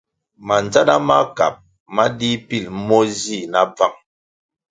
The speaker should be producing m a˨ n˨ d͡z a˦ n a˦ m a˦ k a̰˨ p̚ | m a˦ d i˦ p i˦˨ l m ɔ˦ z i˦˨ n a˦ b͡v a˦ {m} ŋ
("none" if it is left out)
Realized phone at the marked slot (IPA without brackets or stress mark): none